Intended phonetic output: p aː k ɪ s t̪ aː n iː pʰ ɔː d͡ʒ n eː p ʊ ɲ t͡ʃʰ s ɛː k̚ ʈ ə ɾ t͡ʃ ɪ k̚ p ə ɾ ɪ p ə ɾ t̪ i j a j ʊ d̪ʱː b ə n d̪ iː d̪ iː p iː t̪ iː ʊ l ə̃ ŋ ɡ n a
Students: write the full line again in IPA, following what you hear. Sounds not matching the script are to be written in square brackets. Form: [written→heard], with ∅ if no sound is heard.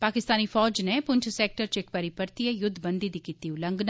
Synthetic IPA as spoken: p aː k ɪ s t̪ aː n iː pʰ ɔː d͡ʒ n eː p ʊ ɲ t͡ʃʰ s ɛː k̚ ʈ ə ɾ t͡ʃ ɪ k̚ p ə ɾ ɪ p ə ɾ t̪ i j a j ʊ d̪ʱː b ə n d̪ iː d̪ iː [p→k] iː t̪ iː ʊ l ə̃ ŋ ɡ n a